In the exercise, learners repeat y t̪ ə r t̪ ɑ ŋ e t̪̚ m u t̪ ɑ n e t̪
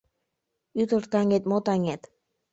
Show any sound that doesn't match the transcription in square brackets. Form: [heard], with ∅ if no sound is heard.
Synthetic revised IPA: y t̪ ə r t̪ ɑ ŋ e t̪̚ m [o] t̪ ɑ [ŋ] e t̪